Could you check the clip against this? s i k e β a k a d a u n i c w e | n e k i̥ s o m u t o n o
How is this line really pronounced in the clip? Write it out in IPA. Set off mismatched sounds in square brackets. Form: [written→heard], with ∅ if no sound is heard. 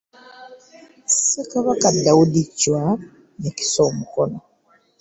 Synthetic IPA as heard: s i k [e→a] β a k a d a u [n→d] i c w [e→a] | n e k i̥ s o m u [t→k] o n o